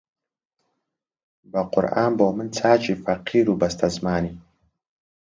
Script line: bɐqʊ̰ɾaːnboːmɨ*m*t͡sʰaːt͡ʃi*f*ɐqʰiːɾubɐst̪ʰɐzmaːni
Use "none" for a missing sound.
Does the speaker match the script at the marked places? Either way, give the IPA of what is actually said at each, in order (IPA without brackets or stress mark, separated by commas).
n, f